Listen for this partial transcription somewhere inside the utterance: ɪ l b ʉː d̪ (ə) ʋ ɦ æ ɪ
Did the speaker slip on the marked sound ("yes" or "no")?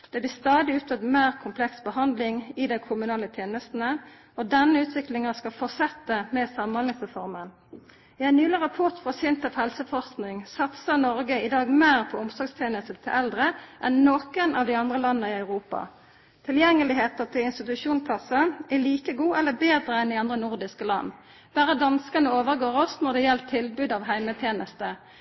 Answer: yes